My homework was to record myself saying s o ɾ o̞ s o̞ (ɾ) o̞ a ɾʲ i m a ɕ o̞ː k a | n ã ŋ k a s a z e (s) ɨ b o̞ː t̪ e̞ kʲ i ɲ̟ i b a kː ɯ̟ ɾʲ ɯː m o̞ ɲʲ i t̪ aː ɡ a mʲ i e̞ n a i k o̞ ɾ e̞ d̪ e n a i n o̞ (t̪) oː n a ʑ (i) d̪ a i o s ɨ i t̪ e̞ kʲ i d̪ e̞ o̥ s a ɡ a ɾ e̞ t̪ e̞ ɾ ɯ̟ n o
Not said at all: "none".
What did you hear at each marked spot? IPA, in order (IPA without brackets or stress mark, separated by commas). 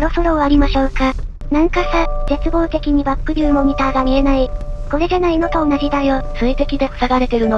ɾ, t͡s, t̪, i